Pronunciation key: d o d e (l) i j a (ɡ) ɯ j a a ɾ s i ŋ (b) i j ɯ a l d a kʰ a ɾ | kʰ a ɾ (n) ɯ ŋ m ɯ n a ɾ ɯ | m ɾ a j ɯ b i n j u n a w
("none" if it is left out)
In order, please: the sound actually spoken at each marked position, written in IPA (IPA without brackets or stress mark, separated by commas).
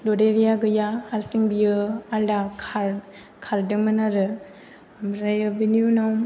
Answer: ɾ, ɡ, b, d